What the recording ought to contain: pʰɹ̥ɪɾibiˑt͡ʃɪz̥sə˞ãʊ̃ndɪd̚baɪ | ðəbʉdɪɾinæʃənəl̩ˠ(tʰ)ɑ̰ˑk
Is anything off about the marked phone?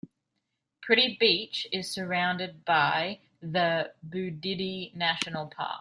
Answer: yes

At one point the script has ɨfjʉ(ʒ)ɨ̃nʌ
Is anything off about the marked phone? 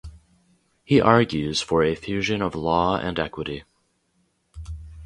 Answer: no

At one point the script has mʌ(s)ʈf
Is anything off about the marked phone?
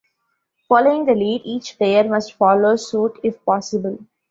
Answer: no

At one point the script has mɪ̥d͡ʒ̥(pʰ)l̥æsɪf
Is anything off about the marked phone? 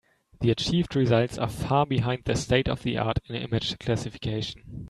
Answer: yes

